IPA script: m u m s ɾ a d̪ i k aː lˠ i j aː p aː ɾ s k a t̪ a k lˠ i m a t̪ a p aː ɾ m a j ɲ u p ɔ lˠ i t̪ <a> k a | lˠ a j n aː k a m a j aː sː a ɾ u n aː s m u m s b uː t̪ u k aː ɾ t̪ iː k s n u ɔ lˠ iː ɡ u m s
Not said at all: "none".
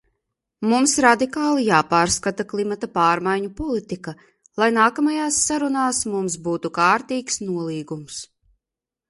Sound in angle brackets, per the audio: i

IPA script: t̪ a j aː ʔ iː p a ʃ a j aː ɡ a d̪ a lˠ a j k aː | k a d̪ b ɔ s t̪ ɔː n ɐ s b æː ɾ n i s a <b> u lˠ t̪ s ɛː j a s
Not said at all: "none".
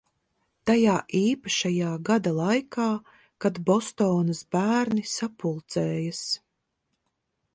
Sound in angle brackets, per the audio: p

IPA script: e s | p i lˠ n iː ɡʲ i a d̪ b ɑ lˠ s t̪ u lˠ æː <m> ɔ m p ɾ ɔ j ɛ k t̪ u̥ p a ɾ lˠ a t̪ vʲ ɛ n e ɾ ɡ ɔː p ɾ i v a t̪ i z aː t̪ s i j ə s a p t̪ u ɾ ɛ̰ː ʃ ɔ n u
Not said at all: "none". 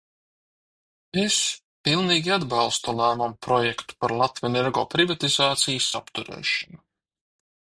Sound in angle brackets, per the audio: m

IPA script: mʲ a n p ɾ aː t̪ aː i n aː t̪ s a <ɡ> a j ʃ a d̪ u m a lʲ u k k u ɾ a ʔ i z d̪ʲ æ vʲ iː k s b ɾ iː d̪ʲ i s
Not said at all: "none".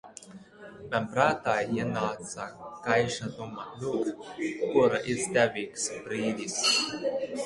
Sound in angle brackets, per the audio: k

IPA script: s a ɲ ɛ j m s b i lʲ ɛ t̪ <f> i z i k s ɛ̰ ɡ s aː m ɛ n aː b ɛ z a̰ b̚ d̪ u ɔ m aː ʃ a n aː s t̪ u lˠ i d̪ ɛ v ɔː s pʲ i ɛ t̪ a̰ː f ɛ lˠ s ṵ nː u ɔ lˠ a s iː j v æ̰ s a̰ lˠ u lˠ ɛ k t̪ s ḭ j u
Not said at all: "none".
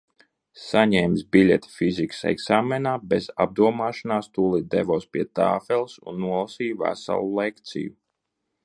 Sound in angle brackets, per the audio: f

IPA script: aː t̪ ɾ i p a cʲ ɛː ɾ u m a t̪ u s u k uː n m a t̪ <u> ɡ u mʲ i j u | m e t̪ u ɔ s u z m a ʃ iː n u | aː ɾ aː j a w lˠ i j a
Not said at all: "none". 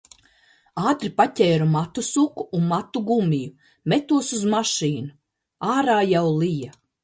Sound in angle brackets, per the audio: u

